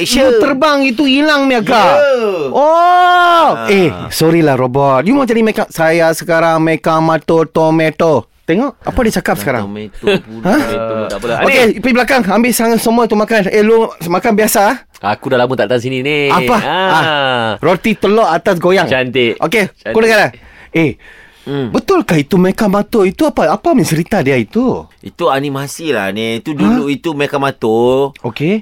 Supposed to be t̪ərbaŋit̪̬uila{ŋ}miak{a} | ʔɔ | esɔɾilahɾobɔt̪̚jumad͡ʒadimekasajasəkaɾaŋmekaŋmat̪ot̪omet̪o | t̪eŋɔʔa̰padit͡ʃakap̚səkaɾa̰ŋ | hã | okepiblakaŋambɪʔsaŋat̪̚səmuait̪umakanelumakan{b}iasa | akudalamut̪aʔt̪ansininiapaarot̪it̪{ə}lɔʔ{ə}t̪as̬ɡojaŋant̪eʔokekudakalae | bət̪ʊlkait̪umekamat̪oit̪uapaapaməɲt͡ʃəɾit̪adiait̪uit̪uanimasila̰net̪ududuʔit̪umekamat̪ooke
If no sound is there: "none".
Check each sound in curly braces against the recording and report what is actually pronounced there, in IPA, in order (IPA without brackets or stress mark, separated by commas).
ŋ, a, b, ə, a